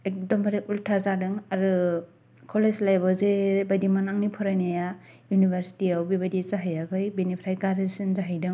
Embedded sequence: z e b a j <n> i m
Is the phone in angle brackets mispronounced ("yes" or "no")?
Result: yes